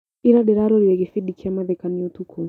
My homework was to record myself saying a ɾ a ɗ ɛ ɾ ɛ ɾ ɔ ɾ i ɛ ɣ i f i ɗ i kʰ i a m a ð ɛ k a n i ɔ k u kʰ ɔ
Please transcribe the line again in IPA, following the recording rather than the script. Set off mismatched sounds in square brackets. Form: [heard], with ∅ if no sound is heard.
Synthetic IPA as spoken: [i] ɾ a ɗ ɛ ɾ [a] ɾ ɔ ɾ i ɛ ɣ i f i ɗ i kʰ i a m a ð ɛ k a n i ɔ [t] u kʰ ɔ